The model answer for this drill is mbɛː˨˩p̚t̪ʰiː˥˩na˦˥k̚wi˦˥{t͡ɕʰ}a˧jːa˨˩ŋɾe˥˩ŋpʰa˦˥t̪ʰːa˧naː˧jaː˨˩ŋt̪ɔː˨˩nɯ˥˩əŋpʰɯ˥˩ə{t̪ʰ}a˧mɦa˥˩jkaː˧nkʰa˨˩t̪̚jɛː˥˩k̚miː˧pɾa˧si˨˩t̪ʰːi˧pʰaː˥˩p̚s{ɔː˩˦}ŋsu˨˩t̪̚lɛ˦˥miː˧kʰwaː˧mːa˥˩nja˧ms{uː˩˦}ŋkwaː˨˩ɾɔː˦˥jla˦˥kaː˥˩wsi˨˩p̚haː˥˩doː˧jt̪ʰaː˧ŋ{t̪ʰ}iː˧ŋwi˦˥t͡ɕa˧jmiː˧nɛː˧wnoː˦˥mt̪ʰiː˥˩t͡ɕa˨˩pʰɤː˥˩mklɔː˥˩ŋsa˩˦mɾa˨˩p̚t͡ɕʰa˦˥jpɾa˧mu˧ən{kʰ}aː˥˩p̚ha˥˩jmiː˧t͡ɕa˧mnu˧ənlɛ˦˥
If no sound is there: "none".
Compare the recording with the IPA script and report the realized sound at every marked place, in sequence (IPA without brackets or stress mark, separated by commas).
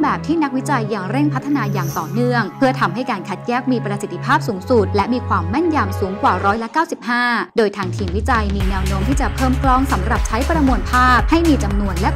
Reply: t͡ɕ, t̪ʰ, uː˩˦, uː˩˦, t̪ʰ, pʰ